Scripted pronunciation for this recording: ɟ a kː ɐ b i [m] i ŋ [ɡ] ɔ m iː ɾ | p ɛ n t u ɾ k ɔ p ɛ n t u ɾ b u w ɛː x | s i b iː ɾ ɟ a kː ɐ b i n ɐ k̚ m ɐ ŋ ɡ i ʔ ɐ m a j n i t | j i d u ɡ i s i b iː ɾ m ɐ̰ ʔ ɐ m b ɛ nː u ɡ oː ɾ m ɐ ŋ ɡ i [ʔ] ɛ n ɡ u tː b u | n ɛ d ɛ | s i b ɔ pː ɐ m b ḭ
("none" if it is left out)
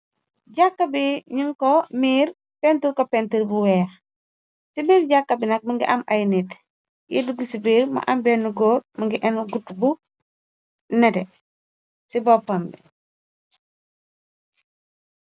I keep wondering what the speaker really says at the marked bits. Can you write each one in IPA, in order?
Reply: ɲ, k, ʔ

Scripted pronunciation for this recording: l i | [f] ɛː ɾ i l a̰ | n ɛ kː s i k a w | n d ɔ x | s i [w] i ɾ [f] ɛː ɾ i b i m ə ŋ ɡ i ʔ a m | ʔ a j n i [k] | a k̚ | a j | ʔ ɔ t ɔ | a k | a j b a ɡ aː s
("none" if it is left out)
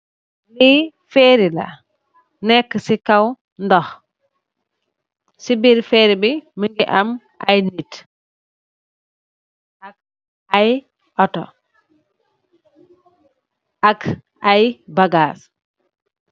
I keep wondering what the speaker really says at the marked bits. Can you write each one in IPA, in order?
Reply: f, b, f, t

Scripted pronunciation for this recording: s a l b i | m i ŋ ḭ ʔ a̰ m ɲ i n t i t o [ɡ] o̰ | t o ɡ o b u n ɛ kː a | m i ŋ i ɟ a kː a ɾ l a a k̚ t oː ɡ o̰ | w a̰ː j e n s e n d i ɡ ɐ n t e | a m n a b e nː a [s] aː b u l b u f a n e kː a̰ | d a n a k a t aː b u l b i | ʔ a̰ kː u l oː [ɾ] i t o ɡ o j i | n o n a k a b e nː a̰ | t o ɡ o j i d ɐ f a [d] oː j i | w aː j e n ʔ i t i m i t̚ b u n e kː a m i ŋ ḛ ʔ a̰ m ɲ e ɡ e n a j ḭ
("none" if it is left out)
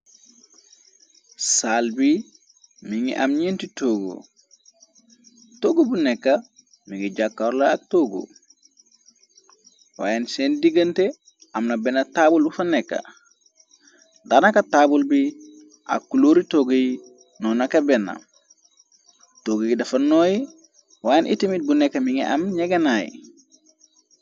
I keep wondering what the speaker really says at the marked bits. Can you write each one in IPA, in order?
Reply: ɡ, t, ɾ, n

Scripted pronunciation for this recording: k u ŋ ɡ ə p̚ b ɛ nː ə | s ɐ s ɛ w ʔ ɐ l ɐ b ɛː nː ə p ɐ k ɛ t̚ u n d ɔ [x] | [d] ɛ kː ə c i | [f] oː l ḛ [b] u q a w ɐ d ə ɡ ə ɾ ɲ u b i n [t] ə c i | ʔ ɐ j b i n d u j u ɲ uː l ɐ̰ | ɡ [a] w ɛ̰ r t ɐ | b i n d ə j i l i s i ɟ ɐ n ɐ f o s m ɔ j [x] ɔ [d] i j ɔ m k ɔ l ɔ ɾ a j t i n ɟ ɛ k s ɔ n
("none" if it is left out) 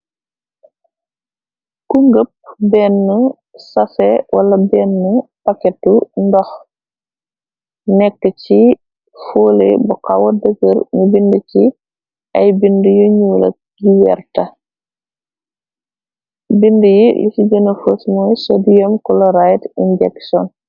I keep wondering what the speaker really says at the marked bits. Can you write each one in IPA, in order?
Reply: x, n, f, b, d, i, s, d

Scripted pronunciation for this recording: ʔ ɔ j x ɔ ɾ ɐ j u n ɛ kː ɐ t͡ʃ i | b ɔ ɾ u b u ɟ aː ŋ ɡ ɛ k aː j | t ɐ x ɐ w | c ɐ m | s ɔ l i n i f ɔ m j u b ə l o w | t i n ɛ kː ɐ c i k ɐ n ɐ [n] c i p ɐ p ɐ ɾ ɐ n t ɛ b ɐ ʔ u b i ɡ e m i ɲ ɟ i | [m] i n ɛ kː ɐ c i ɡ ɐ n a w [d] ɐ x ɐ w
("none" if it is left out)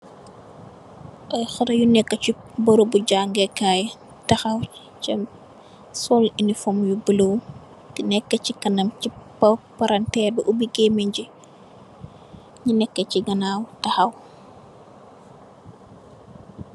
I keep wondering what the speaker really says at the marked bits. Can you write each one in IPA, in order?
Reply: m, ɲ, t

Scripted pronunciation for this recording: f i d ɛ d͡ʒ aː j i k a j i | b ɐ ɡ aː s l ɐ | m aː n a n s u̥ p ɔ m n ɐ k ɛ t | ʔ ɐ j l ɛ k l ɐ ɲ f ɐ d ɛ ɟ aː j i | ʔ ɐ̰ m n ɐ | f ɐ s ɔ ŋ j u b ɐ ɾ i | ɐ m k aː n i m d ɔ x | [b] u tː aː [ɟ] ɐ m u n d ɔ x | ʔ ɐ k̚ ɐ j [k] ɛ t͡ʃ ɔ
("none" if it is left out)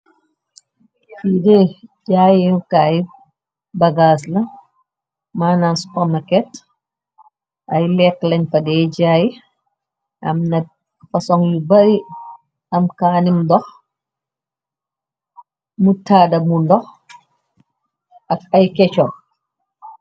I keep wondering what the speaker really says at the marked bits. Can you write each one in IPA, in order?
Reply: m, d, k

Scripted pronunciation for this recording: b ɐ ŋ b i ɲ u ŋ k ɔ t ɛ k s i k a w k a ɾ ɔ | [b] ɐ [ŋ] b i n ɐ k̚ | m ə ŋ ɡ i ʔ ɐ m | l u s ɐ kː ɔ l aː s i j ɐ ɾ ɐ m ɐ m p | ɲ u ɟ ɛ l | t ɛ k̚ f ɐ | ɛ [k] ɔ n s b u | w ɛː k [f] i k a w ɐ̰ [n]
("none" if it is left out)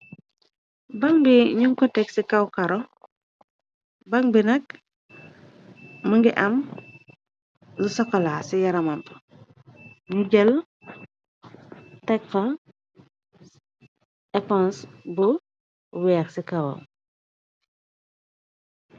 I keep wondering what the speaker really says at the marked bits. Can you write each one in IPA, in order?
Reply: b, ŋ, p, s, m

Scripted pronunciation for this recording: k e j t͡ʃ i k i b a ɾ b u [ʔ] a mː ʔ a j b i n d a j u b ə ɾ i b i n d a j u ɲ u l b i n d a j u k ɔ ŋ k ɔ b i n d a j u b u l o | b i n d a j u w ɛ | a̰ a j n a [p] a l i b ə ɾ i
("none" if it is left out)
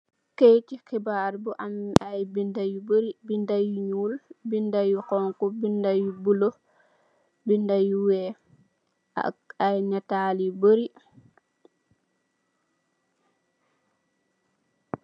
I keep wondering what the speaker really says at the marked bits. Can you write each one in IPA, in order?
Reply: ʔ, t

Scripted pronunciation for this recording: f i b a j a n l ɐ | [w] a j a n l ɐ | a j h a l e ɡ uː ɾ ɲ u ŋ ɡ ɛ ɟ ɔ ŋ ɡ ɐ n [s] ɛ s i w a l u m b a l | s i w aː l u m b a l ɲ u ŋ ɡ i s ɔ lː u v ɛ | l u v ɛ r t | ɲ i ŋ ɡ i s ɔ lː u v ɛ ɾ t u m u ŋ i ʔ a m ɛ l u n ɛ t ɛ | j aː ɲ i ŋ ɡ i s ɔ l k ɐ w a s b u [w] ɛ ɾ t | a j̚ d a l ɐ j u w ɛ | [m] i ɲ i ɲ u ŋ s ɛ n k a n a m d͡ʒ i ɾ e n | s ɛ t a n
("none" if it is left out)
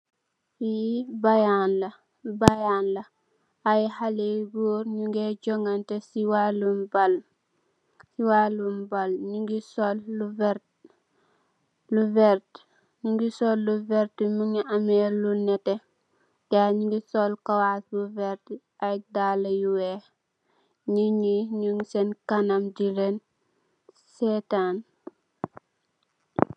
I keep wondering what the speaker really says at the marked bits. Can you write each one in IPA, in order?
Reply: b, t, v, ɲ

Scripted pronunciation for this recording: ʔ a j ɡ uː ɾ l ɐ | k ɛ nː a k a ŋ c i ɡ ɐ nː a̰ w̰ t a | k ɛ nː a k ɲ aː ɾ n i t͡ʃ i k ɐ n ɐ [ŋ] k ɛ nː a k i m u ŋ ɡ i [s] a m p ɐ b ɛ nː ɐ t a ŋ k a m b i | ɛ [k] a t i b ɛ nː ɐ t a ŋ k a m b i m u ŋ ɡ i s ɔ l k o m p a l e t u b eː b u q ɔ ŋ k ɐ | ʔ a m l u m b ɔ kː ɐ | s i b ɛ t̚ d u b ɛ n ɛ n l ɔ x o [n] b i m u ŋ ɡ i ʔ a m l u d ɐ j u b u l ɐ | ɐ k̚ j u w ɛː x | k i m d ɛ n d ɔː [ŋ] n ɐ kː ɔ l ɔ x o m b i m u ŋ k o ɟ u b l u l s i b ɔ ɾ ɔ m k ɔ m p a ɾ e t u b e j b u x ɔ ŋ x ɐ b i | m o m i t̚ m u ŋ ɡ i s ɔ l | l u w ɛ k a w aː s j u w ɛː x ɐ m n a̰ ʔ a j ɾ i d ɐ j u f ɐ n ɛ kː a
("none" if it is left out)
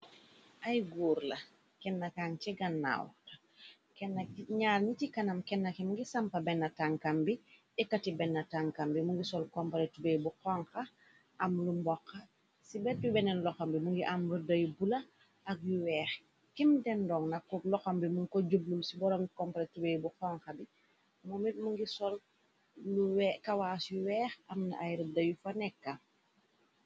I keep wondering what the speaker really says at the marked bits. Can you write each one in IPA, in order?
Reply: m, s, k, m, ŋ

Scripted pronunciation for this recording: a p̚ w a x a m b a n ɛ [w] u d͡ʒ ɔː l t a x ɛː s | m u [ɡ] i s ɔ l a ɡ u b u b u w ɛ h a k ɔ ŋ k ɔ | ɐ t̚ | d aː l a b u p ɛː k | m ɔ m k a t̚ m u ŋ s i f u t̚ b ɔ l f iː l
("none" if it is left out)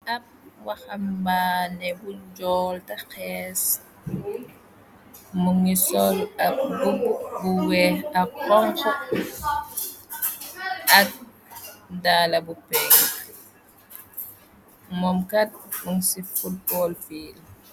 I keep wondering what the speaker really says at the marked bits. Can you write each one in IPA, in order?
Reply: b, ŋ

